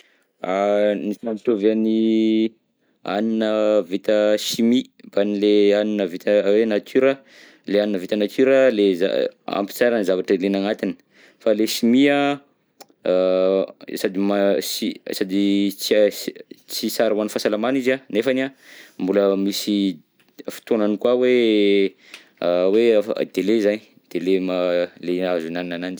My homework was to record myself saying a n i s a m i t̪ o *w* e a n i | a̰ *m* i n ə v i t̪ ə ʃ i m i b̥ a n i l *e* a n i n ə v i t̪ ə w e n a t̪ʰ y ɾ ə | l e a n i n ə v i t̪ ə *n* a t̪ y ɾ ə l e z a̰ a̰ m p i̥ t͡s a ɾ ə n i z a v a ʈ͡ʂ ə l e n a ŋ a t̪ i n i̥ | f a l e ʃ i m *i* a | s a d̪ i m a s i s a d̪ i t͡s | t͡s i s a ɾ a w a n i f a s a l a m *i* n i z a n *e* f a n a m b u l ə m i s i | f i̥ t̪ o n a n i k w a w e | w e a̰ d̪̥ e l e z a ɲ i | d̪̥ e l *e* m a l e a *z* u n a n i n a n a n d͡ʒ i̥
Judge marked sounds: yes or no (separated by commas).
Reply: no, no, yes, yes, yes, no, yes, yes, yes